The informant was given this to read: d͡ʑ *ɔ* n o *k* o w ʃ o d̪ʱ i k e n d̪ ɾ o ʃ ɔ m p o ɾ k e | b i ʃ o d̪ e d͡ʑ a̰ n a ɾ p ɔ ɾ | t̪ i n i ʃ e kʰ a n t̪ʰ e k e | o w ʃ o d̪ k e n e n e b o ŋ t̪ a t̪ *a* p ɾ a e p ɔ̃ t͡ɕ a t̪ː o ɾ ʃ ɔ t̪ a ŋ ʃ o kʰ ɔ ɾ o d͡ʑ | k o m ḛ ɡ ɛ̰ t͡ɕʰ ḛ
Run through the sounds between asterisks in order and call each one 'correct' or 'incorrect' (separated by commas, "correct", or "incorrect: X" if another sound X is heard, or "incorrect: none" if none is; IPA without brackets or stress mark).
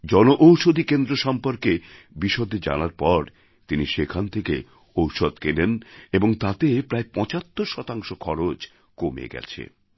correct, incorrect: ʔ, incorrect: e